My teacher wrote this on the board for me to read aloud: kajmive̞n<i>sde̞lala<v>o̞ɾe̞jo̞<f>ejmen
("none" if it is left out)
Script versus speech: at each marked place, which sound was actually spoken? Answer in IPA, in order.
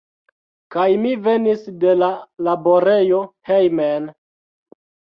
i, b, h

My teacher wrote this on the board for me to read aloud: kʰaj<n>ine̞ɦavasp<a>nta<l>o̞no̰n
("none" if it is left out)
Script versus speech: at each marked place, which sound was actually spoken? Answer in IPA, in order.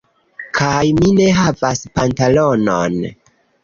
m, a, l

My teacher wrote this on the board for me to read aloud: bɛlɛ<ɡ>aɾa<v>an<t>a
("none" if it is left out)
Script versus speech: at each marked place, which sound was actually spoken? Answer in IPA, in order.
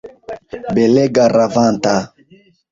ɡ, v, t

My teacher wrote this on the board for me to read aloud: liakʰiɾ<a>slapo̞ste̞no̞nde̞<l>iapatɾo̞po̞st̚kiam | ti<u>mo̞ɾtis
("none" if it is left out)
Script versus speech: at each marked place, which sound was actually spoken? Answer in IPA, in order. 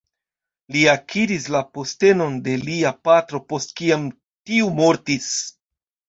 i, l, u

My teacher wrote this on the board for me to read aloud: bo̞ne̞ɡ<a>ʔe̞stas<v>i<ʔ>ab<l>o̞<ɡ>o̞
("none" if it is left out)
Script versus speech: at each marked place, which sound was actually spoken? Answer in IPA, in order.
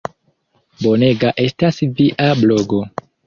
a, v, ʔ, l, ɡ

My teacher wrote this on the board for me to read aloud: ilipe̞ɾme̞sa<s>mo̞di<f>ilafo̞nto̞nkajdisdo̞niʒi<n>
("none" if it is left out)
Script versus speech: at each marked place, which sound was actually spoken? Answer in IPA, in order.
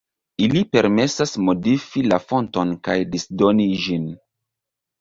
s, f, n

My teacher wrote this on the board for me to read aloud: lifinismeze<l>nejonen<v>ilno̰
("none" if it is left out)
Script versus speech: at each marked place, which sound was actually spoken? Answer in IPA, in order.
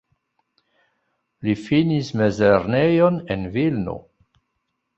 ɾ, v

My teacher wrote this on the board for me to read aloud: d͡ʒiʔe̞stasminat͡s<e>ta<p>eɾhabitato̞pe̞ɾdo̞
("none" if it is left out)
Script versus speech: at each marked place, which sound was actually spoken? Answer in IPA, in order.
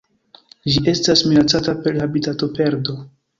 a, p

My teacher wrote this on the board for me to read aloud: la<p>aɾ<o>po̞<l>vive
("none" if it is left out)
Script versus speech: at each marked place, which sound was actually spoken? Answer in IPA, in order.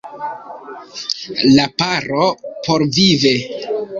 p, o, ɾ

